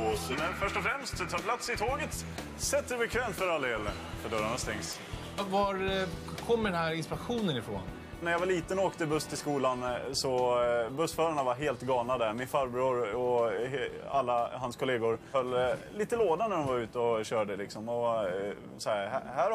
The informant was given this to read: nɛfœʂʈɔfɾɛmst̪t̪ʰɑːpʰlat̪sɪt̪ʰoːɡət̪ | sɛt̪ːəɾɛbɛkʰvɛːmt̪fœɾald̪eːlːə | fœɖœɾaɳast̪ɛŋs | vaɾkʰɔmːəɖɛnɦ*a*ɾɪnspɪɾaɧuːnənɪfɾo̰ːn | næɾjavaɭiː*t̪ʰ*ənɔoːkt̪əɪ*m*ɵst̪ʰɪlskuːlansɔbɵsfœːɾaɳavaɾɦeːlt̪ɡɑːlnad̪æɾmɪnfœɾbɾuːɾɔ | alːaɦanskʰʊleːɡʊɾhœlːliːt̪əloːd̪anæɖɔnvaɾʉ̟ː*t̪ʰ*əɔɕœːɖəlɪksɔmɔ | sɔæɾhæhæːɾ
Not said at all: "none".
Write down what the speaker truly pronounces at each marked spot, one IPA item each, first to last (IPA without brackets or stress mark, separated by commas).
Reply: æ, t̪, b, t̪